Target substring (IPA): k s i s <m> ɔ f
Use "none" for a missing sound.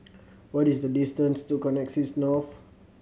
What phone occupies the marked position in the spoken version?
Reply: n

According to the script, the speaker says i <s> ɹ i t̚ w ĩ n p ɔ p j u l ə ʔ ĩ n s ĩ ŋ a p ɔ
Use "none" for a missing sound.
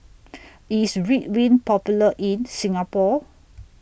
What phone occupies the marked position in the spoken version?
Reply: s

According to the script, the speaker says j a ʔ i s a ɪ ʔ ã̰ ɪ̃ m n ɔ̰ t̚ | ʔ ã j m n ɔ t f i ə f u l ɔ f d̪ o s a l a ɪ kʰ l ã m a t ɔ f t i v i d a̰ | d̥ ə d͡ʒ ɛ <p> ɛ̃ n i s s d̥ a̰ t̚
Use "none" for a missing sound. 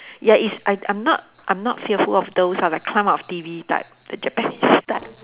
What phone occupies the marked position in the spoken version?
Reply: p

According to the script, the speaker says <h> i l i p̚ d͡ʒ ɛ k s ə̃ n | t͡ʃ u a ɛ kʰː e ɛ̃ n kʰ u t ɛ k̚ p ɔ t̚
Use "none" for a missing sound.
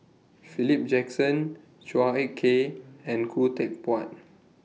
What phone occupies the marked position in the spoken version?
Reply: f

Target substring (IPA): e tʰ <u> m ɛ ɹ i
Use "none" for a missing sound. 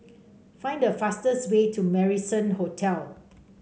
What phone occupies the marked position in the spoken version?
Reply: u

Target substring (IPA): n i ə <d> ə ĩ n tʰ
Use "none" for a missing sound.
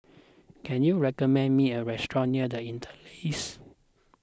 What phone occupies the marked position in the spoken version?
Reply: d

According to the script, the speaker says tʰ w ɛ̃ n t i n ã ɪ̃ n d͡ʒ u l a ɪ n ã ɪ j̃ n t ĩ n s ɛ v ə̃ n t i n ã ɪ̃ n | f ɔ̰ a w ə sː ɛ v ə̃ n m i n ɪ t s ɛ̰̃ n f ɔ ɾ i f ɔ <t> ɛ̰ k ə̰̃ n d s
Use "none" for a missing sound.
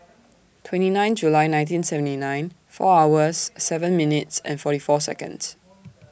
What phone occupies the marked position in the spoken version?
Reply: s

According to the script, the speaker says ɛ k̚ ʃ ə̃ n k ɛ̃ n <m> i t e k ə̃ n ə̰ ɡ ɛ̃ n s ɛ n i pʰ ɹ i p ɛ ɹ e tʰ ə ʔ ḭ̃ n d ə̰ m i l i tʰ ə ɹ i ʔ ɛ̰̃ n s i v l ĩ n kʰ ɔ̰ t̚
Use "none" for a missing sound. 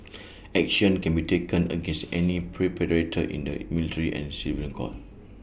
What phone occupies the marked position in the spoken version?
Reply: b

